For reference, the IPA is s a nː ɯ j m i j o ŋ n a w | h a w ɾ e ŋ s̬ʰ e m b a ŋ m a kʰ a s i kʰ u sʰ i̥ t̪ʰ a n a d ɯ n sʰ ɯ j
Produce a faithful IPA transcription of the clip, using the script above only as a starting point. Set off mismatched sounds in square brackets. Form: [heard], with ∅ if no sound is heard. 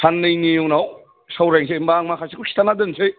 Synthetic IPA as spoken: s a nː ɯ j [n] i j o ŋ n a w | [s] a w ɾ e ŋ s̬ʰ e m b a ŋ m a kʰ a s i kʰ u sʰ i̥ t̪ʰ a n a d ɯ n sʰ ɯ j